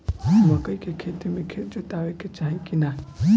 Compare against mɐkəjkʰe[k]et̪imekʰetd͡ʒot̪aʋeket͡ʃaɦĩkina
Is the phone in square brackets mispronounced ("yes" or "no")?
yes